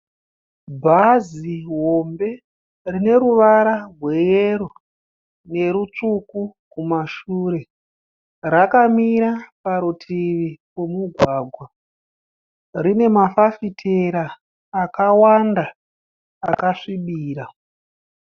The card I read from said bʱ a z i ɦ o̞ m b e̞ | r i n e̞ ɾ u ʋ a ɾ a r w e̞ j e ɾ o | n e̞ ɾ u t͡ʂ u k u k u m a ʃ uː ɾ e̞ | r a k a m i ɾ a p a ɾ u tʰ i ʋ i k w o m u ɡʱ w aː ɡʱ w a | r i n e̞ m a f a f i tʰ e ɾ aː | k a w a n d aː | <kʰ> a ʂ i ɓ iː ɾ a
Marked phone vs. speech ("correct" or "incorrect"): incorrect